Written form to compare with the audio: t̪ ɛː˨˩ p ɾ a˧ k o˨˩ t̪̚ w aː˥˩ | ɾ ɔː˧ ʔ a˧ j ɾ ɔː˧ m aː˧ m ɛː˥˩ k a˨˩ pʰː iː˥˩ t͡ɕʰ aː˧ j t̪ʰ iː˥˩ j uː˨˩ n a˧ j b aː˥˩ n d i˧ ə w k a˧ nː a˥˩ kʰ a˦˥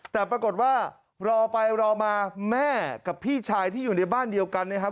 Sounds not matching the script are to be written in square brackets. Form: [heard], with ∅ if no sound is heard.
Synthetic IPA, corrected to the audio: t̪ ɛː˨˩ p ɾ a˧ k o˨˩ t̪̚ w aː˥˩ | ɾ ɔː˧ [p] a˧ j ɾ ɔː˧ m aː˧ m ɛː˥˩ k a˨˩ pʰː iː˥˩ t͡ɕʰ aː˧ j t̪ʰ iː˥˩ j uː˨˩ n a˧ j b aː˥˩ n d i˧ ə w k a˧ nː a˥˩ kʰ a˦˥